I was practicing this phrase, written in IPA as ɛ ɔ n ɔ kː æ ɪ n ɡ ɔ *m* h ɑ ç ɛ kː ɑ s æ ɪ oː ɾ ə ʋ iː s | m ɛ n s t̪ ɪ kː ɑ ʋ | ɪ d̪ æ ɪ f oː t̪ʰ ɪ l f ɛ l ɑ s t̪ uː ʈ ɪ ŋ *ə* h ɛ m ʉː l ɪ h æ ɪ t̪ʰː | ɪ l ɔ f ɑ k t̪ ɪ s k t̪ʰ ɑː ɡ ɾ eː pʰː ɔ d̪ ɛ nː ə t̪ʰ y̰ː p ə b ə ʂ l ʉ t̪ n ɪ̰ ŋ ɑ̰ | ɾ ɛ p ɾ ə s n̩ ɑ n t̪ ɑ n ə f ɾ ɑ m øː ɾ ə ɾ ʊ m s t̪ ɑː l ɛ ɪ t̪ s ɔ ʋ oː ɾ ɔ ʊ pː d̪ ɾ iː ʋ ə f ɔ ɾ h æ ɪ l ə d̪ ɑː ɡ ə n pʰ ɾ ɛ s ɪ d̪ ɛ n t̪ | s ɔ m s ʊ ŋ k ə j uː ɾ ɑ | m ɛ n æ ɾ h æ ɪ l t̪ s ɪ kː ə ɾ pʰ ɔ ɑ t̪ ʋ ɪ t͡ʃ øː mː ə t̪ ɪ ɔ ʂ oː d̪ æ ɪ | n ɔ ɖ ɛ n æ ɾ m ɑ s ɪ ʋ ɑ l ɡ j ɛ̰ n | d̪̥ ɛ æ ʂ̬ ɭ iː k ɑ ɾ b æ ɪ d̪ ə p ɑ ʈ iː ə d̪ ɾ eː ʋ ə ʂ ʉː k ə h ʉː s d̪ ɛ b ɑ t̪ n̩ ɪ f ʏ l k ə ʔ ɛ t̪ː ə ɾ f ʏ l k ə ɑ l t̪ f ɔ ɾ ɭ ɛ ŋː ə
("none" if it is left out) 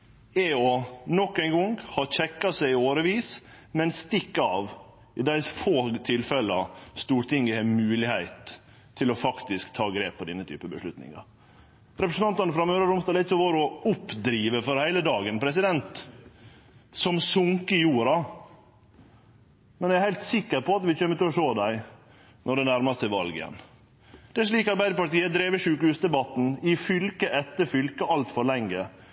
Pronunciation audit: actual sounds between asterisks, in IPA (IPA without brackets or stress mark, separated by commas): ŋ, ə